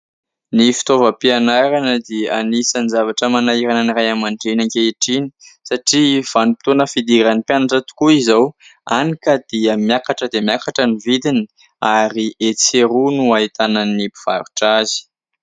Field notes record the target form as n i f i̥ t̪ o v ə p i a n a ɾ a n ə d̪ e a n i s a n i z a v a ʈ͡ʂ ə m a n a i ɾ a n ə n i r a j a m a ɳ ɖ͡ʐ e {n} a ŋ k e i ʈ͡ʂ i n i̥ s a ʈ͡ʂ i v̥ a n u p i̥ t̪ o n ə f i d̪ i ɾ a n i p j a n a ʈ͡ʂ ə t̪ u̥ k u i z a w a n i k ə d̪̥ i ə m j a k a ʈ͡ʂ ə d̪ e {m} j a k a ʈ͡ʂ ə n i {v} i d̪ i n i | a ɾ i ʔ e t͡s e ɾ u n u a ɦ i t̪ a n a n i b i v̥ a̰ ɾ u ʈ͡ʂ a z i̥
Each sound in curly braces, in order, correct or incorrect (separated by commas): correct, correct, correct